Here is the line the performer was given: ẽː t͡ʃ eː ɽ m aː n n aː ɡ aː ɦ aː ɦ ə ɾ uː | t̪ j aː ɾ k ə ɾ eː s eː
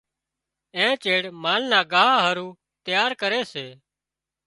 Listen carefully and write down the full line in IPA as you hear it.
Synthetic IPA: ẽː t͡ʃ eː ɽ m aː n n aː ɡ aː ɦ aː ɦ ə ɾ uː | t̪ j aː ɾ k ə ɾ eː s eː